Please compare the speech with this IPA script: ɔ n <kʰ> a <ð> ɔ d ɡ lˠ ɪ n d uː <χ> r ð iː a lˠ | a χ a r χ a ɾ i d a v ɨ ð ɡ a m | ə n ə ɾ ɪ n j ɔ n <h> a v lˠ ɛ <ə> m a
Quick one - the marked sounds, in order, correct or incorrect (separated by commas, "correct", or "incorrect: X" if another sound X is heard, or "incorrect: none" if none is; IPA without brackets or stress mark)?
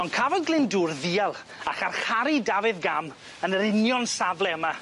correct, incorrect: v, incorrect: none, incorrect: s, correct